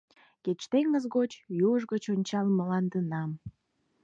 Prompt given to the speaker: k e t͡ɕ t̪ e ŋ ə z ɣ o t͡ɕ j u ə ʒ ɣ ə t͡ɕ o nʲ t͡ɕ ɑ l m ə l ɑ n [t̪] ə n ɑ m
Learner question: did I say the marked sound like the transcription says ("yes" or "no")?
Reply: no